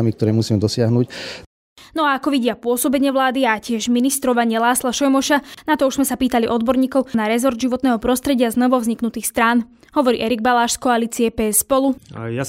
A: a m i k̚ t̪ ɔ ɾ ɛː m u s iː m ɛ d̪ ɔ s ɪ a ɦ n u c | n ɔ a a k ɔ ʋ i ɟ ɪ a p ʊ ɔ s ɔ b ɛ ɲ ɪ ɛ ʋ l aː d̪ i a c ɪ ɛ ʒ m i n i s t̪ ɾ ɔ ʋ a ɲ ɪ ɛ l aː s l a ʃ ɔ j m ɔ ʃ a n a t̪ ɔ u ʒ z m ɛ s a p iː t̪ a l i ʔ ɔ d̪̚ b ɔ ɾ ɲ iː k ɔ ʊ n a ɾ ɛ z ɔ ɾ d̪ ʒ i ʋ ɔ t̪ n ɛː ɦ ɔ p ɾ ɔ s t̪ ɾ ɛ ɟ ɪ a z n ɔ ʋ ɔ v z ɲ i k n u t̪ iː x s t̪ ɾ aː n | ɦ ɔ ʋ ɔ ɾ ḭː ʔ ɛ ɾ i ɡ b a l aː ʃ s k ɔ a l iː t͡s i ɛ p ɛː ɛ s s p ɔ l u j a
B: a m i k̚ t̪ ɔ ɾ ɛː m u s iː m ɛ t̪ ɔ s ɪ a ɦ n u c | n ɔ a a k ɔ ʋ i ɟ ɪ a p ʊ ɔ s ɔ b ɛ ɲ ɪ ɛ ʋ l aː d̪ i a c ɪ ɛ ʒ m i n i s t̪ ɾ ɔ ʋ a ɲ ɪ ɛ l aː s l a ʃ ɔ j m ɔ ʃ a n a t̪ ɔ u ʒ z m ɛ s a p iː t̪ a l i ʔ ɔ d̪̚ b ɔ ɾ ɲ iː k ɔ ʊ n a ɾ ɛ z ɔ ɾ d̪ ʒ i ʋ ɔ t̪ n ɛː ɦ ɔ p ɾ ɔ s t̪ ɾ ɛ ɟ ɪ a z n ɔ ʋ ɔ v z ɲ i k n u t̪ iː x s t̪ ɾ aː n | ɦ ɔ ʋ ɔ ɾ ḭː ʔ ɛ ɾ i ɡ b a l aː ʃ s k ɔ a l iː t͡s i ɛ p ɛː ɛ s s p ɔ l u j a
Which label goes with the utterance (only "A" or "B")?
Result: A